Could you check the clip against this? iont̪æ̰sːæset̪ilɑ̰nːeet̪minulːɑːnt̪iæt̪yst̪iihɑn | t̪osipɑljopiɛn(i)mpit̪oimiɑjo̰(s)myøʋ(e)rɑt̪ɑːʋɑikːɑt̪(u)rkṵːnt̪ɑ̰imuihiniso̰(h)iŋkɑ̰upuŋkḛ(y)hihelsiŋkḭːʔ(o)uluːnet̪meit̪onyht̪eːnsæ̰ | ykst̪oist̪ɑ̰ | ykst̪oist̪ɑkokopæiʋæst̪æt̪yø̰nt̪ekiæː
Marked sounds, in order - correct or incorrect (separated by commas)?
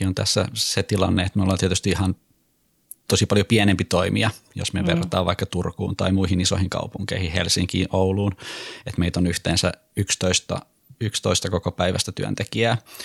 incorrect, correct, correct, correct, correct, incorrect, correct